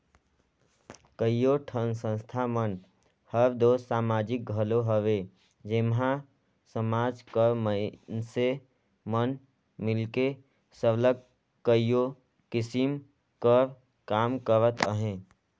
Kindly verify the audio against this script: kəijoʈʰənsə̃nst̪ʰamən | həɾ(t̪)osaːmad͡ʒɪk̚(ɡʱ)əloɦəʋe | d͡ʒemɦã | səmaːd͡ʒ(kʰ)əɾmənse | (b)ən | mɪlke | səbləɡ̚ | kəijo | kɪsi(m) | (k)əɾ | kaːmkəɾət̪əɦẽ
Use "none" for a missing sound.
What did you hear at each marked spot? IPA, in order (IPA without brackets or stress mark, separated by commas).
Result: d̪, ɡʱ, k, m, m, k